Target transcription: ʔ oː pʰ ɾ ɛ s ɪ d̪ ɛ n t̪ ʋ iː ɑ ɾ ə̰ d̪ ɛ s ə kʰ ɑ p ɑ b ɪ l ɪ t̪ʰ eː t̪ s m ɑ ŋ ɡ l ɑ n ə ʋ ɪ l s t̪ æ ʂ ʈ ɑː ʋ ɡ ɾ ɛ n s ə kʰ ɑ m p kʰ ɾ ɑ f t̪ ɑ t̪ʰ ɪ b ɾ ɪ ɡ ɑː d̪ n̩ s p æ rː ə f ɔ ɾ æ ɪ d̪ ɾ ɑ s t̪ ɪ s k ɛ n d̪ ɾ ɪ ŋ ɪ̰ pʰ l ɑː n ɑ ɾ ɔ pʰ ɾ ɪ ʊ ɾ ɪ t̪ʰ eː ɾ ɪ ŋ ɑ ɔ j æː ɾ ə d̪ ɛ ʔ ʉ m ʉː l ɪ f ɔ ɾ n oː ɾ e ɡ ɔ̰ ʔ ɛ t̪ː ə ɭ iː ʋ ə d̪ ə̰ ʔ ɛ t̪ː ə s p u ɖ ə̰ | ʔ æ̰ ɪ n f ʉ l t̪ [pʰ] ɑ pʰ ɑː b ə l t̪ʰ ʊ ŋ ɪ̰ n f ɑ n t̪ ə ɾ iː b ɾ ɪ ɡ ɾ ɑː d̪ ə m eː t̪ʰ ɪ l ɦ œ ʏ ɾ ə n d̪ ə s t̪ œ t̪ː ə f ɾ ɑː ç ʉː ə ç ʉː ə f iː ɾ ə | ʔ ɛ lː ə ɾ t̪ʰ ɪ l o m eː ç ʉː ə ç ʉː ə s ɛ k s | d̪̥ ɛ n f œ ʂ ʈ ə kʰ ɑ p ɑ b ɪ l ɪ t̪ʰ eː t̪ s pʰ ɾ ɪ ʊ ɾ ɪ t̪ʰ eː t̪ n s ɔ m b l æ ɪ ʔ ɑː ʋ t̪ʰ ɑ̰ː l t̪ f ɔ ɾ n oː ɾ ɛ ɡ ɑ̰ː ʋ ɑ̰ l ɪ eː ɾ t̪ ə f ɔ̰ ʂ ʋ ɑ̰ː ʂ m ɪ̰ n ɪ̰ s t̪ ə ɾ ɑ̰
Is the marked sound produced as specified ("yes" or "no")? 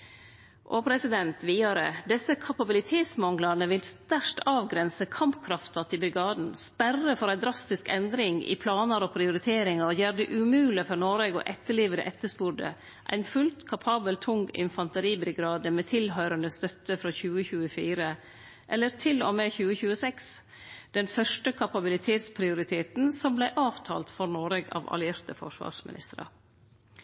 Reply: no